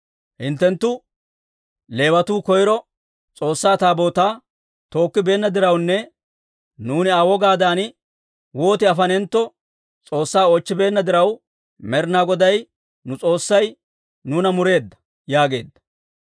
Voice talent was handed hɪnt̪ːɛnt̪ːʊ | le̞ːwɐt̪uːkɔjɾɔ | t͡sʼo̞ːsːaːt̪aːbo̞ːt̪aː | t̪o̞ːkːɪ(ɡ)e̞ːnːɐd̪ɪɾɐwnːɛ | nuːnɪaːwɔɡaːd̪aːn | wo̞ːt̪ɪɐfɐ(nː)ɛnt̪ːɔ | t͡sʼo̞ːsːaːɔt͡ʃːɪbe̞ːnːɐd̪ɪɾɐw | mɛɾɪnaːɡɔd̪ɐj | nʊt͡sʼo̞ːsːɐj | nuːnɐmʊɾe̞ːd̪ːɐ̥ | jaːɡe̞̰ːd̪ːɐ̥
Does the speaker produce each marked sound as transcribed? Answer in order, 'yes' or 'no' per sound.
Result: no, no

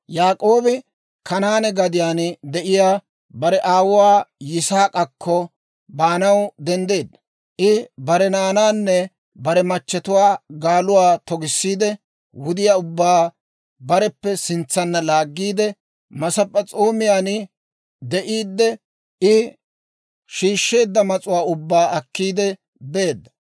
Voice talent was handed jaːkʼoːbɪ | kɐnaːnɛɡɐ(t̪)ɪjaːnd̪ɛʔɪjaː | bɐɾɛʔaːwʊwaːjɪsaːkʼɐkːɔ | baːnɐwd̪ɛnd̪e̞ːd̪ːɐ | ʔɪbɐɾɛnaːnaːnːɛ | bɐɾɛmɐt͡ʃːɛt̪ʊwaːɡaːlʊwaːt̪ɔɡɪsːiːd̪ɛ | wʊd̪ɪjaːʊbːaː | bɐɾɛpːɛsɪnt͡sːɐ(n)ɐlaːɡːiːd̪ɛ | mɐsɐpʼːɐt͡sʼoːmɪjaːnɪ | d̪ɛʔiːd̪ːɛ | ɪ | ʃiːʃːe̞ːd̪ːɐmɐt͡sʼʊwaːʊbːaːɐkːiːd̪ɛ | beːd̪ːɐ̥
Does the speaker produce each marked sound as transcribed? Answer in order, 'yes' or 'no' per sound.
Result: no, no

